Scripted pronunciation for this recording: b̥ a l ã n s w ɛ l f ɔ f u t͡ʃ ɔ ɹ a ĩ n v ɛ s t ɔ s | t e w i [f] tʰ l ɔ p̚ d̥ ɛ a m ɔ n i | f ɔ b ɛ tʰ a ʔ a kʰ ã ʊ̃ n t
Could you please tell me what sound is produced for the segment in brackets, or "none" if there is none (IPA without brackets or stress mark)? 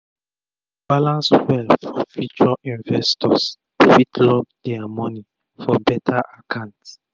none